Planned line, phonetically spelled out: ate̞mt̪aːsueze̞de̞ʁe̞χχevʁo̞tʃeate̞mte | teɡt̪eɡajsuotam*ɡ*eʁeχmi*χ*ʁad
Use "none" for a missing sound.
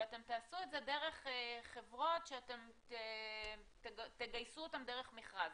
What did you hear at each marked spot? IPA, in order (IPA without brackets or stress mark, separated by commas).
d, χ